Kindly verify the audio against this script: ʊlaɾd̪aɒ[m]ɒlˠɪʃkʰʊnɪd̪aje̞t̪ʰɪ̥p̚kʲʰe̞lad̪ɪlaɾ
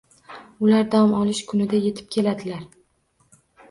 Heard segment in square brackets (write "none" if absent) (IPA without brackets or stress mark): m